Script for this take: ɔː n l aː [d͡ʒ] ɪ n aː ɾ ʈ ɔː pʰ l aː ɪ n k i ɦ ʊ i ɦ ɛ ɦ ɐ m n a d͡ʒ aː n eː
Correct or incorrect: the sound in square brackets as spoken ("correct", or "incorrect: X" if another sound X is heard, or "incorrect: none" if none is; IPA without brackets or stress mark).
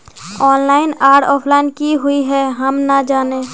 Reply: incorrect: none